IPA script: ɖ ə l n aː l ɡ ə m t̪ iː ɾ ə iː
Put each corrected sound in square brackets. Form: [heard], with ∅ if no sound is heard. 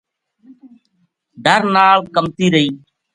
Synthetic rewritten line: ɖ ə [ɾ] n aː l [k] ə m t̪ iː ɾ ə iː

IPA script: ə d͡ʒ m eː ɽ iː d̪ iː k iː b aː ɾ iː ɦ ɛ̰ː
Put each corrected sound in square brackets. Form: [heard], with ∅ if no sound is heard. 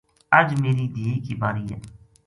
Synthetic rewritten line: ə d͡ʒ m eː [ɾ] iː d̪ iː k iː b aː ɾ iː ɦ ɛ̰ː

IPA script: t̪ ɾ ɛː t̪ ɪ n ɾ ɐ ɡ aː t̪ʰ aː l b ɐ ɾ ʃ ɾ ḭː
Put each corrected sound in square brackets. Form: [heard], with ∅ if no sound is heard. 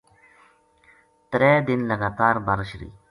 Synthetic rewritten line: t̪ ɾ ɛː [d̪] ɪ n [l] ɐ ɡ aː [t̪] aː [ɾ] b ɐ ɾ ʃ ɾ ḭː

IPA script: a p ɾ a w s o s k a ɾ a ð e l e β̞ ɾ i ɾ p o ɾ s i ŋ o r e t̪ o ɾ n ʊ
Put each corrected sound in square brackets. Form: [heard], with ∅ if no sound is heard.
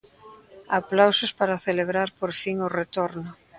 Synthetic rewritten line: a p [l] a w s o s [p] a ɾ a [θ] e l e β̞ ɾ [a] ɾ p o ɾ [f] i ŋ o r e t̪ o ɾ n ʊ

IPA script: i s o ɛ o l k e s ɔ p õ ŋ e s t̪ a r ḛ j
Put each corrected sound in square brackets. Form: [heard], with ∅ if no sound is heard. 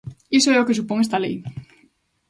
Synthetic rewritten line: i s o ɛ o [∅] k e s [u] p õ ŋ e s t̪ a [l] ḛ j

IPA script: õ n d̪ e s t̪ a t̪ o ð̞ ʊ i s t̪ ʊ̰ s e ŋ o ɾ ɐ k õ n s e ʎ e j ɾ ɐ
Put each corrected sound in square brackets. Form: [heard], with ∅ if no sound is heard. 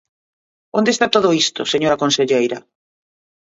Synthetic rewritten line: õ n d̪ e s t̪ a t̪ o ð̞ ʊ i s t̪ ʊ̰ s e [ɲ] o ɾ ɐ k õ n s e ʎ e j ɾ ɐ

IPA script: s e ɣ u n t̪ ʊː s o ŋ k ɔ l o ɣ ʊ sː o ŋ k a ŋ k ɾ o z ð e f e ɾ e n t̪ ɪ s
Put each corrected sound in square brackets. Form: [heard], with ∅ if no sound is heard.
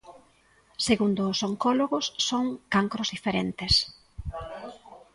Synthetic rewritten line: s e ɣ u n [d̪] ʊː s o ŋ k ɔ l o ɣ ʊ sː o ŋ k a ŋ k ɾ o z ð [i] f e ɾ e n t̪ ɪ s

